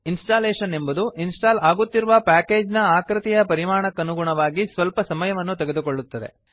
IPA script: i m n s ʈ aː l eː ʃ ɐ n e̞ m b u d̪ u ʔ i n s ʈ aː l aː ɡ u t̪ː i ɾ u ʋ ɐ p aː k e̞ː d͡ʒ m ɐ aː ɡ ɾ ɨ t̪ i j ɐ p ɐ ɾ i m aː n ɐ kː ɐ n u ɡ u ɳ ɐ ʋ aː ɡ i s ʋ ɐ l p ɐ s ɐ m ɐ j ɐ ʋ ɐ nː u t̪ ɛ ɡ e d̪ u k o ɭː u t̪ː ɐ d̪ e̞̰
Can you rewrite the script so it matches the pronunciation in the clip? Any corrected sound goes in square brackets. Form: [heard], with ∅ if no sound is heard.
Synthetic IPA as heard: i [∅] n s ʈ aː l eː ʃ ɐ n e̞ m b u d̪ u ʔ i n s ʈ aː l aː ɡ u t̪ː i ɾ u ʋ ɐ p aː k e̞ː d͡ʒ [n] ɐ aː [k] ɾ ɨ t̪ i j ɐ p ɐ ɾ i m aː [ɳ] ɐ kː ɐ n u ɡ u ɳ ɐ ʋ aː ɡ i s ʋ ɐ l p ɐ s ɐ m ɐ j ɐ ʋ ɐ nː u t̪ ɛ ɡ e d̪ u k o ɭː u t̪ː ɐ d̪ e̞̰